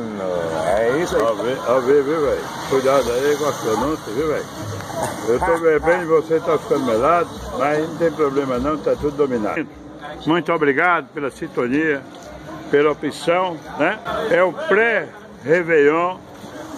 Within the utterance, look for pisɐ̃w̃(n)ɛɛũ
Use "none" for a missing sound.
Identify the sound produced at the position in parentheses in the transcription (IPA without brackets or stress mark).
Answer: n